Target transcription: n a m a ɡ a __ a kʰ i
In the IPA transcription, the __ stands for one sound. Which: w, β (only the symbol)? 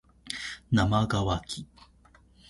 w